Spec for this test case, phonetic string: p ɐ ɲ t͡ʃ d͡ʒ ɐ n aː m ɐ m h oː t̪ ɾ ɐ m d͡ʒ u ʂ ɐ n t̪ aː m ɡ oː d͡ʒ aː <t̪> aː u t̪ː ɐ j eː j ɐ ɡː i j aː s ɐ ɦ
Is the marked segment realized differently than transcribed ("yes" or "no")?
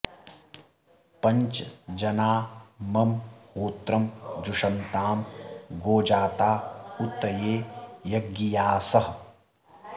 no